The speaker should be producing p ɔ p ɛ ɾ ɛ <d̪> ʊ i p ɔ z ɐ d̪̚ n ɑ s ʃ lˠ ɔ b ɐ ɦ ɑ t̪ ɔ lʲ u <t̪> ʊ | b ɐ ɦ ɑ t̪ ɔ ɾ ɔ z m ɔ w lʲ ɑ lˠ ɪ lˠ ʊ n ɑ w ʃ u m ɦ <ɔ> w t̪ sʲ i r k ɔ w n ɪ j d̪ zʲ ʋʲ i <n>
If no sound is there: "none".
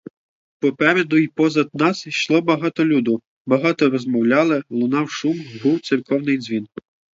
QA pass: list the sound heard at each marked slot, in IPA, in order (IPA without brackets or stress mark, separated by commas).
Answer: d̪, d̪, u, n